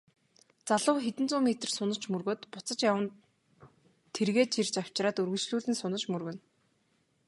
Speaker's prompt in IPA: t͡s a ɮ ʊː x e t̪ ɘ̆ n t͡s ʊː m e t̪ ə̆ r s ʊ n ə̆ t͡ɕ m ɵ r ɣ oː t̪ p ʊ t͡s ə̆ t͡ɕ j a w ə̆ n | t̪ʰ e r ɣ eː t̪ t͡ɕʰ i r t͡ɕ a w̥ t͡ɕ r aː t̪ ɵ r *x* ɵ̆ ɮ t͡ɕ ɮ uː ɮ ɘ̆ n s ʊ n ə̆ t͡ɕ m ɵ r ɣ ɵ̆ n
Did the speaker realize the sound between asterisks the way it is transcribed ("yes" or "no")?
no